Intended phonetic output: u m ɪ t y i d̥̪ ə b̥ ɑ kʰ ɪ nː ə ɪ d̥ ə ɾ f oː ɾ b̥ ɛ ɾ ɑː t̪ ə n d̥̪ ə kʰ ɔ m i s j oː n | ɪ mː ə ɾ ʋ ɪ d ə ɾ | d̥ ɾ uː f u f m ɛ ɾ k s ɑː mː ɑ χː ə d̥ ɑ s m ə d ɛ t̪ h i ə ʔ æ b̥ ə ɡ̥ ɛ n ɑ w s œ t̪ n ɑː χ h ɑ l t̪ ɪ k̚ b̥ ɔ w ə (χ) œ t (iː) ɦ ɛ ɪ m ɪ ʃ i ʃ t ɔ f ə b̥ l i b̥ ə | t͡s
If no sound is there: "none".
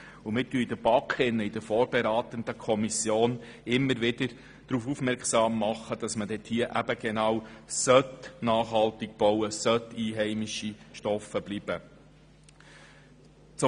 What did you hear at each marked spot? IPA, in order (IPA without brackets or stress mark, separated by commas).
s, iː